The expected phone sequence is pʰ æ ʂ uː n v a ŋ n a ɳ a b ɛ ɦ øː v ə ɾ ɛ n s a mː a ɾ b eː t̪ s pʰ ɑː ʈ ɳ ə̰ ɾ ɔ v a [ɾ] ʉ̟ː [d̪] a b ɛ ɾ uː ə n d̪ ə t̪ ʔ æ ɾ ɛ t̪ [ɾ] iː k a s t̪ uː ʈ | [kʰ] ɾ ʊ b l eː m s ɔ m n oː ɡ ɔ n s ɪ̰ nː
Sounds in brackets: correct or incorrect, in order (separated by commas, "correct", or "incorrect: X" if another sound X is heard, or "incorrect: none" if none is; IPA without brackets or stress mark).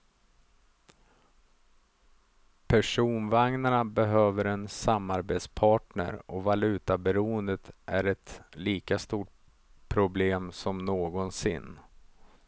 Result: incorrect: l, incorrect: t̪, incorrect: l, incorrect: pʰ